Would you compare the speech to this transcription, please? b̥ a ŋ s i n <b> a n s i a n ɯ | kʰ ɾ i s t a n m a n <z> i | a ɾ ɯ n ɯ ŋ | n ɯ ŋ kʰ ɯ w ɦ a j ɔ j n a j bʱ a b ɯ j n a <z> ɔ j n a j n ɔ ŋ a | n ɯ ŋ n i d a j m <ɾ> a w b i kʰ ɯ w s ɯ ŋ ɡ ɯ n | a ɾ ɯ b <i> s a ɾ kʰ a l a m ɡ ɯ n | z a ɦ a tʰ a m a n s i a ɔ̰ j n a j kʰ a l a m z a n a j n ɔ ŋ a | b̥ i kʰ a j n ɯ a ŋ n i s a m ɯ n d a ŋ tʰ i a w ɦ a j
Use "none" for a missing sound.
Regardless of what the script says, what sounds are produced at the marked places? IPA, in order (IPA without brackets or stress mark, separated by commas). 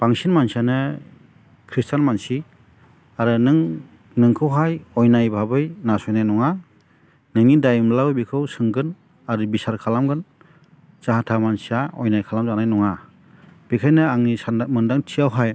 m, s, s, l, i